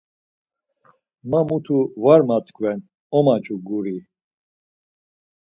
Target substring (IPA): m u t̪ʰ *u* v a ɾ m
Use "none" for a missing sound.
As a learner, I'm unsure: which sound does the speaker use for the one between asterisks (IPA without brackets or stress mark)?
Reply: u